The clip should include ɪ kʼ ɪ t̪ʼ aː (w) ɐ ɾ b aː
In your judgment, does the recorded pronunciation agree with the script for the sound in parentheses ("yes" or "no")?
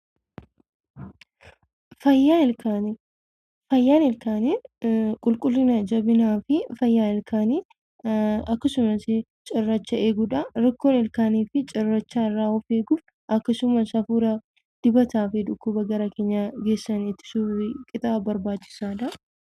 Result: no